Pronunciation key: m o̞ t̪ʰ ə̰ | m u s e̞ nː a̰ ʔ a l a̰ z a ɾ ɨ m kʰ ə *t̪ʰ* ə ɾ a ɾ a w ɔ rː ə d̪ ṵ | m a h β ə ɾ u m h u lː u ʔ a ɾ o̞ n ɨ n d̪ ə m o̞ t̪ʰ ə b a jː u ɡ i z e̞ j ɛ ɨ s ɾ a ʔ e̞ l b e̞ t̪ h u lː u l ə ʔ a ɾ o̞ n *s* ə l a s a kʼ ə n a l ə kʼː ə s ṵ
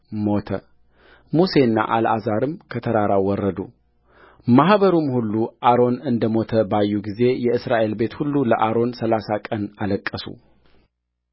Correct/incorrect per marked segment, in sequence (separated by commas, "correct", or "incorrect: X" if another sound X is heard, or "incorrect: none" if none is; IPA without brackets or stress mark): correct, correct